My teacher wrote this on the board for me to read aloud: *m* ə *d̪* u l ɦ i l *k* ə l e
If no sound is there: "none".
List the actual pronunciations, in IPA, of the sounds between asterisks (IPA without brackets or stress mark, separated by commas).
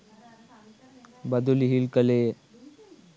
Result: b, d̪, k